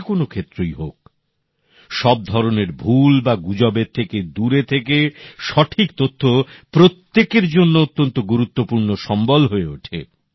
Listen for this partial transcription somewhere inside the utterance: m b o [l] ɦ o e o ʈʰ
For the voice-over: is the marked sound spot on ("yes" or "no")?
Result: yes